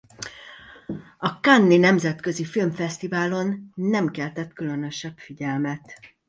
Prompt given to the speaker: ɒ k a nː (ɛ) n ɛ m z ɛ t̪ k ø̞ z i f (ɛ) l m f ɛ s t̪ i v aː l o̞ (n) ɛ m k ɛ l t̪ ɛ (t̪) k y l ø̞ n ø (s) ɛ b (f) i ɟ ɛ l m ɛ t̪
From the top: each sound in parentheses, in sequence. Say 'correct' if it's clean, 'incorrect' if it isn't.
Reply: incorrect: i, incorrect: i, incorrect: nː, correct, incorrect: ʃ, correct

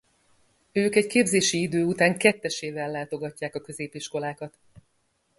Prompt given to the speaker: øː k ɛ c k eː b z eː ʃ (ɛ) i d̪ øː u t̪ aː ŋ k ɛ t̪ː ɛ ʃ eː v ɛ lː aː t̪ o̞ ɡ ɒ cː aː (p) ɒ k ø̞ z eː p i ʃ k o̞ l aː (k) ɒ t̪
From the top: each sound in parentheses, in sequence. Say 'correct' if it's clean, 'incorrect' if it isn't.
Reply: incorrect: i, incorrect: k, correct

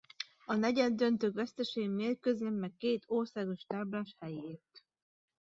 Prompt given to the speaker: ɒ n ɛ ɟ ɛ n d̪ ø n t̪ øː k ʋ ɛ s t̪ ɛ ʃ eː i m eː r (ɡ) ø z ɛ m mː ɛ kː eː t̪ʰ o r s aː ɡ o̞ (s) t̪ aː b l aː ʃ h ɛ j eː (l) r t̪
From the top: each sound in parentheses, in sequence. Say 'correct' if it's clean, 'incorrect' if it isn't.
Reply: incorrect: k, incorrect: ʃ, incorrect: none

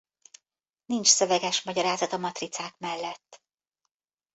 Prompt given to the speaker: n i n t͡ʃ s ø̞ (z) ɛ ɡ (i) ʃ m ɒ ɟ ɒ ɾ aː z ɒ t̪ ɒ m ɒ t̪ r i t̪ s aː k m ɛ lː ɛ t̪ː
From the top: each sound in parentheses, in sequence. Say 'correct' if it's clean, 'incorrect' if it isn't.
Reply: incorrect: v, incorrect: ɛ

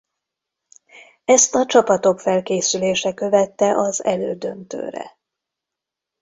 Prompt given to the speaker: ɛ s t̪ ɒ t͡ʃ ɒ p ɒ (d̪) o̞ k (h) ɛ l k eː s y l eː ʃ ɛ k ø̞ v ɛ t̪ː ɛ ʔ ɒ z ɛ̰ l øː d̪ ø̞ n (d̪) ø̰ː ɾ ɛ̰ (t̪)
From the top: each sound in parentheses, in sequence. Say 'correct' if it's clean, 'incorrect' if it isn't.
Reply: incorrect: t̪, incorrect: f, incorrect: t̪, incorrect: none

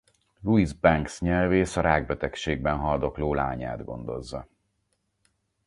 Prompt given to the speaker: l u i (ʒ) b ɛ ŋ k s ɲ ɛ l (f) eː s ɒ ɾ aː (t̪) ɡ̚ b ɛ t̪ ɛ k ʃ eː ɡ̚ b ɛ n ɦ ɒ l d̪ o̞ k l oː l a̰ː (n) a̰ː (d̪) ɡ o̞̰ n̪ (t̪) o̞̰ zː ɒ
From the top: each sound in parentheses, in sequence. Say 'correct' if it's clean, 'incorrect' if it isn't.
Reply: incorrect: z, incorrect: v, incorrect: none, incorrect: ɲ, correct, incorrect: d̪

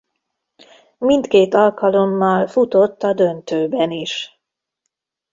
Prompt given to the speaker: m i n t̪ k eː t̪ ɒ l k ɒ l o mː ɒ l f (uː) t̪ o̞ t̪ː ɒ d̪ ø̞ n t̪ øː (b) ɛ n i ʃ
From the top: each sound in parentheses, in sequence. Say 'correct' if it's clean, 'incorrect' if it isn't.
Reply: incorrect: u, correct

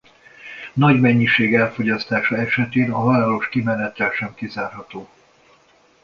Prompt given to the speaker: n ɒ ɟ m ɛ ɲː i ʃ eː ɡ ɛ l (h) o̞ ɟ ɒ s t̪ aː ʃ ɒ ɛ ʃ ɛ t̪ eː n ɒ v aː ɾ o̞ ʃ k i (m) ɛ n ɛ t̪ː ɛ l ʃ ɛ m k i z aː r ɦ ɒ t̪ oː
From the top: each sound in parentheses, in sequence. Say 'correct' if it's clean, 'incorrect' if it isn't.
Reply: incorrect: f, correct

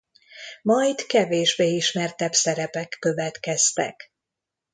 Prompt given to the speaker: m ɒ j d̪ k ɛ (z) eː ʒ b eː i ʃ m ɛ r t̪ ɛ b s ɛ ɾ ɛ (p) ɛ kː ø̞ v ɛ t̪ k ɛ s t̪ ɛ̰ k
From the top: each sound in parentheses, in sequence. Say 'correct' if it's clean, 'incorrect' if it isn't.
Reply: incorrect: v, correct

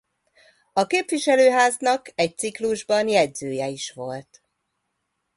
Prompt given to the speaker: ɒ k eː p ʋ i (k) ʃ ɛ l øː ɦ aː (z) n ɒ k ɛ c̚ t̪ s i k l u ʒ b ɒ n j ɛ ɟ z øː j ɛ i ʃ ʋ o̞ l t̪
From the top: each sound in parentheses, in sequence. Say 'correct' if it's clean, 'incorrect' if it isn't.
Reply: incorrect: none, correct

